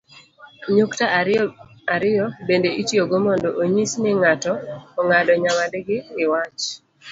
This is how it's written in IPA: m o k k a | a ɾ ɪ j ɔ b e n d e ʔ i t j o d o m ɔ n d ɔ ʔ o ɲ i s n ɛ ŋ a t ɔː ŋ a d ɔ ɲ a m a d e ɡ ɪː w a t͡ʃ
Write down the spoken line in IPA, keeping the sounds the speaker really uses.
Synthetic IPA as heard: ɲ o k t a | a ɾ ɪ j ɔ b e n d e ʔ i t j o ɡ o m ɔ n d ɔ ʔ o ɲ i s n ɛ ŋ a t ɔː ŋ a d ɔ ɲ a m a d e ɡ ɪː w a t͡ʃ